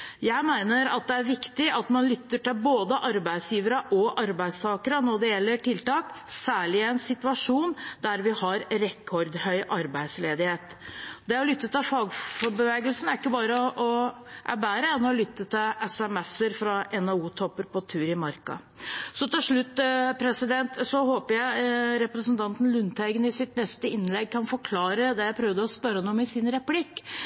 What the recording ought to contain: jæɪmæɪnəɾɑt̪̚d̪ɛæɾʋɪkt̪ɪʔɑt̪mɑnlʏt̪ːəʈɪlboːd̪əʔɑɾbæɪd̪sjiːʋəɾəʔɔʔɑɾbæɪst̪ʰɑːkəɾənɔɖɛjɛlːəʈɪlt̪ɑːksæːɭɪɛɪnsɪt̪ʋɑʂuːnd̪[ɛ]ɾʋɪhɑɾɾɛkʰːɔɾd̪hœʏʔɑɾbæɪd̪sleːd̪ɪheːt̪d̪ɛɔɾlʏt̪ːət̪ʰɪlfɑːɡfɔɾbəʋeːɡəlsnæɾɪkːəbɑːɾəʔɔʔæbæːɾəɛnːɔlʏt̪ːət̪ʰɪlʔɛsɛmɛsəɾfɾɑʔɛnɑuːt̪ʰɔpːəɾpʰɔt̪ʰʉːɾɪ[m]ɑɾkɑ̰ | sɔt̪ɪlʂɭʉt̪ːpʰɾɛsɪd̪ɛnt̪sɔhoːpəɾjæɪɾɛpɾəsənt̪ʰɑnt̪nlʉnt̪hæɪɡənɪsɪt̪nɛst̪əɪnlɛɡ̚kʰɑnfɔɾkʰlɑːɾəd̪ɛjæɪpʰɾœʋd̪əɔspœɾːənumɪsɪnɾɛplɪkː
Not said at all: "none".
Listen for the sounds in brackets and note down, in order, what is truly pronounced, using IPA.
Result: æ, m

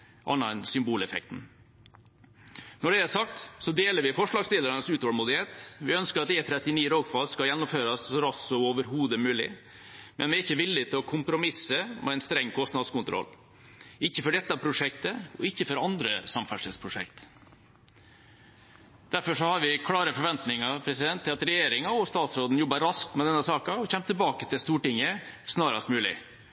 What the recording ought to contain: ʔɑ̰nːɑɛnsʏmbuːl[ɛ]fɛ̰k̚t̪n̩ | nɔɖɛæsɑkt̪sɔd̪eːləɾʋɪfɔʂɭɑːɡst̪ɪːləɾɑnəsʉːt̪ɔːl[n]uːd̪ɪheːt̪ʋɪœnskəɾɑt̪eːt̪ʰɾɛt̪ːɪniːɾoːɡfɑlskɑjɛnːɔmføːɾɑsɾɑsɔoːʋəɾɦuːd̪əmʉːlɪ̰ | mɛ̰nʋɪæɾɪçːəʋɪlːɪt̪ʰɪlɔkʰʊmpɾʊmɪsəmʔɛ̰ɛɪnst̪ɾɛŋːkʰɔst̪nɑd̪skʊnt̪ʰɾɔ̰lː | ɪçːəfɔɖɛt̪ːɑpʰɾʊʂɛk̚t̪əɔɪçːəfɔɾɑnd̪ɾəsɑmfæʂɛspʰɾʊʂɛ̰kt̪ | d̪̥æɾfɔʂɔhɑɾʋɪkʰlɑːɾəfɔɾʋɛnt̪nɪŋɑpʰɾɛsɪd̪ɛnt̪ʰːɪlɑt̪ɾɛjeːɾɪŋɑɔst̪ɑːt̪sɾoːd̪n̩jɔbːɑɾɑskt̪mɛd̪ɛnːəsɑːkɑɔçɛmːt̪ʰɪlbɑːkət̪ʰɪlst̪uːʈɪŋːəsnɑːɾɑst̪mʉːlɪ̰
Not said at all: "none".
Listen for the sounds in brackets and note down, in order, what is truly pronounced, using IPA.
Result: ɛ, m

